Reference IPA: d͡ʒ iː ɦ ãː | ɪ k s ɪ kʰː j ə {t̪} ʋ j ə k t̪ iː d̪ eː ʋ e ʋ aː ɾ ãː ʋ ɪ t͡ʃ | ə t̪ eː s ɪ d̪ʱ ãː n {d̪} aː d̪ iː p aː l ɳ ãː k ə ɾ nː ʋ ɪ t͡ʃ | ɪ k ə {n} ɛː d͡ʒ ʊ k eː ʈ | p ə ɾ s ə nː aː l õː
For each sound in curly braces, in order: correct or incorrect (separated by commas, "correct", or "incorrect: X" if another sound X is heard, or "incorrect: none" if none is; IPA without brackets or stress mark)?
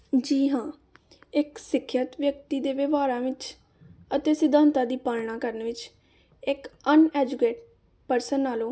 correct, incorrect: t̪, correct